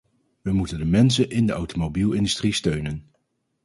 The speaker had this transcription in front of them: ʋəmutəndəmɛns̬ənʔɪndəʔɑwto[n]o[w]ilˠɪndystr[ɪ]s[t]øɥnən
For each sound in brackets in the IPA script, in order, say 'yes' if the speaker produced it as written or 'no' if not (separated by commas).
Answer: no, no, no, yes